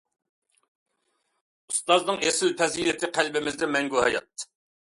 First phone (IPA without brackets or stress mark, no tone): u